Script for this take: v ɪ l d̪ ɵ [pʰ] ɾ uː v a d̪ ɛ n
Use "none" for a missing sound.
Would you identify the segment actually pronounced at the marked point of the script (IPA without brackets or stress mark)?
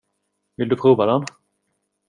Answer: pʰ